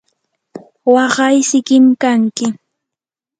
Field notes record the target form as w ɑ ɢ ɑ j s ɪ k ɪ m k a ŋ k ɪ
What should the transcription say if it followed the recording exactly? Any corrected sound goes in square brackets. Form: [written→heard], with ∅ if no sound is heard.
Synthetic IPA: w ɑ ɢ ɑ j s ɪ k ɪ m k a ŋ k ɪ